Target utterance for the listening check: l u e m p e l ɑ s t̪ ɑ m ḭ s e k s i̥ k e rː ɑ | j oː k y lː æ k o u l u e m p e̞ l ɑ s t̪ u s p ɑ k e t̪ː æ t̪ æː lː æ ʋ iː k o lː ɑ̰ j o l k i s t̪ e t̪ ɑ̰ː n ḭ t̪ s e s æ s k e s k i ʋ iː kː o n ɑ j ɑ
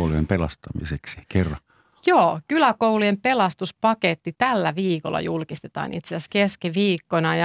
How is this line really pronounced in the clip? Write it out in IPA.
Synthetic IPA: l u e m p e l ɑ s t̪ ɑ m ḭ s e k s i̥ k e rː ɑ | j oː k y l æ k o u l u e m p e̞ l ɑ s t̪ u s p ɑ k e t̪ː i t̪ æ lː æ ʋ iː k o lː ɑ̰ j u l k i s t̪ e t̪ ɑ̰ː n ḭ t̪ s e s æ s k e s k i ʋ iː kː o n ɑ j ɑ